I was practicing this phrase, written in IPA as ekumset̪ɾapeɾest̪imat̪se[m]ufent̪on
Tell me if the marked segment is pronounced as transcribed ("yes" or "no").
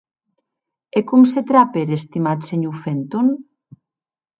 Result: no